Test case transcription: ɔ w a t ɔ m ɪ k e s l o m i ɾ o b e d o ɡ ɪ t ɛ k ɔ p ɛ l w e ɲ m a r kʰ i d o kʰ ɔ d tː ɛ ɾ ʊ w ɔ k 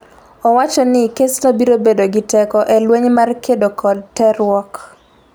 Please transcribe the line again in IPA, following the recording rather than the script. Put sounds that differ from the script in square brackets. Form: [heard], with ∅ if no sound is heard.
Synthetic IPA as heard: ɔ w a [t͡ʃ] ɔ [n] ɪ k e s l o [b] i ɾ o b e d o ɡ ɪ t ɛ k ɔ [ʔ] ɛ l w e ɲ m a r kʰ [e] d o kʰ ɔ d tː ɛ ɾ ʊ w ɔ k